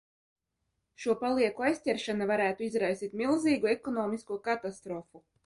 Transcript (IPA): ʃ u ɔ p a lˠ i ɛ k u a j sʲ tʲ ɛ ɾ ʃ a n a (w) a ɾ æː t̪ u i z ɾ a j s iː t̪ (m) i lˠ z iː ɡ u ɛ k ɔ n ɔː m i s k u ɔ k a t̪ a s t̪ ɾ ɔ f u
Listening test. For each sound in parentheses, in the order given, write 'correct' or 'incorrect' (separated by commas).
incorrect, correct